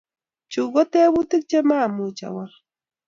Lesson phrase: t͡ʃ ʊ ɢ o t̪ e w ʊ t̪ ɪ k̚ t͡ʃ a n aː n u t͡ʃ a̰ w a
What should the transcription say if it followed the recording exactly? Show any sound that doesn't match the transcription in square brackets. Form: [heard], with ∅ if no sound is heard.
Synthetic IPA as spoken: t͡ʃ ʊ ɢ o t̪ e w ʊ t̪ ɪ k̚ t͡ʃ a [m] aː [m] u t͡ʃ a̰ w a

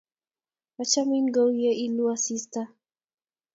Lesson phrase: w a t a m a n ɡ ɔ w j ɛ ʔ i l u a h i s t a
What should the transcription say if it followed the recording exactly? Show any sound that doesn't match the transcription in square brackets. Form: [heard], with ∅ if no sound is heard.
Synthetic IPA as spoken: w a [t͡ʃ] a m [i] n ɡ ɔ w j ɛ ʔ i l u a [s] i s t a

